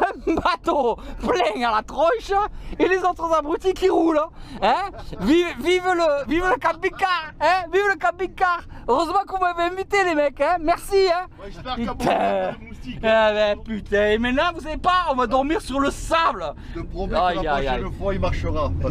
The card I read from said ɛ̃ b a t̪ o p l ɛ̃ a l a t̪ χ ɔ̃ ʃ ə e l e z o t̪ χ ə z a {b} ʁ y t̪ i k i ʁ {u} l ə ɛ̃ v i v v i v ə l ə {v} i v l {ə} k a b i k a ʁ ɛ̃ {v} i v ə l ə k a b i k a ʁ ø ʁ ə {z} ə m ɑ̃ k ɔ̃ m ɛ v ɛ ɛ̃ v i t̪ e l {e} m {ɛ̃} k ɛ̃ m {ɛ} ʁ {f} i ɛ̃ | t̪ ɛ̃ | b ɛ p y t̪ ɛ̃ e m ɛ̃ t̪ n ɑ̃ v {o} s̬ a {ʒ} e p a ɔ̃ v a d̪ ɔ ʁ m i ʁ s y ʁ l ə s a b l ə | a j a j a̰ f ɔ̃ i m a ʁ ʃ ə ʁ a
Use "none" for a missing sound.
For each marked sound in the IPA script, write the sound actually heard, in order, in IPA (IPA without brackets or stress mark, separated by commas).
b, u, v, ə, v, z, e, ɛ, ɛ, s, u, v